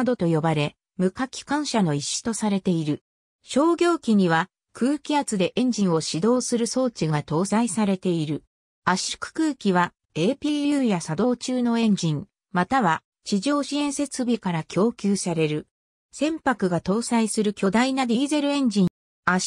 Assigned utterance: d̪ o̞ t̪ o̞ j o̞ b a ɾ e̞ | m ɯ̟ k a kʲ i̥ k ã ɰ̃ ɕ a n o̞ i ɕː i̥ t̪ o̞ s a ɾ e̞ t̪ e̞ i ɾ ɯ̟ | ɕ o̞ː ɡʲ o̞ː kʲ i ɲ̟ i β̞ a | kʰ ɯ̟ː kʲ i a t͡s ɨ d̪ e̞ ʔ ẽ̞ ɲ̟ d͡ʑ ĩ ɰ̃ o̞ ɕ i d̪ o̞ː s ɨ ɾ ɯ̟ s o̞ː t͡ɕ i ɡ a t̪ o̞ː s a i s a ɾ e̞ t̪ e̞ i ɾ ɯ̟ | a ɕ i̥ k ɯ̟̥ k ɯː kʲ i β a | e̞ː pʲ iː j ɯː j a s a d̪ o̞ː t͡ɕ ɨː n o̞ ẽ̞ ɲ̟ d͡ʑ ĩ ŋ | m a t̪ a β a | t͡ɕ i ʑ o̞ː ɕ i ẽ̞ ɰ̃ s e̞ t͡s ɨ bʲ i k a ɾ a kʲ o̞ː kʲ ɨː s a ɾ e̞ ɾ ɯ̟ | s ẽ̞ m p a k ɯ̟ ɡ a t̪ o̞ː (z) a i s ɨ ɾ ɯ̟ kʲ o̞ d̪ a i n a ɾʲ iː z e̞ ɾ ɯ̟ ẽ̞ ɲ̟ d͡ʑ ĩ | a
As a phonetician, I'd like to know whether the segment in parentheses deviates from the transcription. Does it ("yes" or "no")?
yes